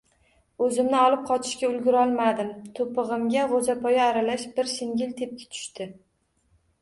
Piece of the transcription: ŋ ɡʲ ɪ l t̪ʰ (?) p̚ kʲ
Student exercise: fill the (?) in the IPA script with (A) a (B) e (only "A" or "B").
B